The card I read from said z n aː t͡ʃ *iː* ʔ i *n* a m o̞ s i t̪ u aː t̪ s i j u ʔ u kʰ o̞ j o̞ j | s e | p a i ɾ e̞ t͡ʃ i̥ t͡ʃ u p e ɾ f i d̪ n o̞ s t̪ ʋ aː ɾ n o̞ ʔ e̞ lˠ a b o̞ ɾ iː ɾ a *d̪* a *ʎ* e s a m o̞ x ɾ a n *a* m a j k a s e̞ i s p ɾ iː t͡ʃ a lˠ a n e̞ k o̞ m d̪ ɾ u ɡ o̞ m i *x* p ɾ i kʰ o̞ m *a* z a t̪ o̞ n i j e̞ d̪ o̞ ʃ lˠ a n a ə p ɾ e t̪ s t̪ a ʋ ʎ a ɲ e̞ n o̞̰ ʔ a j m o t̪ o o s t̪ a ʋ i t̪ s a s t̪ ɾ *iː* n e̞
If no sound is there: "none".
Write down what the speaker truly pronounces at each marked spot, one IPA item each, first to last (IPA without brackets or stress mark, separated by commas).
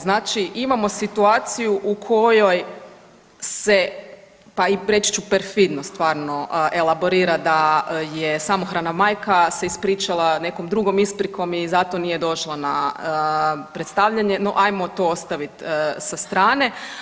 i, m, d̪, j, a, s, i, aː